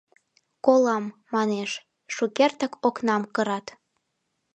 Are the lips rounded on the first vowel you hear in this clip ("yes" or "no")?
yes